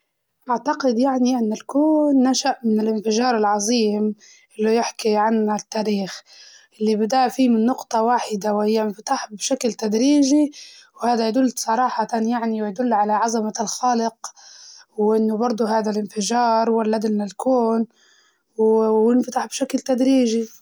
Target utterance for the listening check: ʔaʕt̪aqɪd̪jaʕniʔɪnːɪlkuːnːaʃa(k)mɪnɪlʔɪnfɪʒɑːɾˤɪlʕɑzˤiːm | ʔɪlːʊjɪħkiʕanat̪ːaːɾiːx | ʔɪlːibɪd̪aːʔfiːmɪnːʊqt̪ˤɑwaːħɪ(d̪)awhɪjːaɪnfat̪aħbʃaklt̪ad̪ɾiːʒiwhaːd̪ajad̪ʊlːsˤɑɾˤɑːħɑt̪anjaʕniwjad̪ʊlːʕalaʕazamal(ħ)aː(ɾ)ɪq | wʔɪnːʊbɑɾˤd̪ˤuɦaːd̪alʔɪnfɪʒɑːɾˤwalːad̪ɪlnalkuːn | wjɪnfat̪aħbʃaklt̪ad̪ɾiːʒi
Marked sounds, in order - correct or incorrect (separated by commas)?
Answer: incorrect, correct, incorrect, incorrect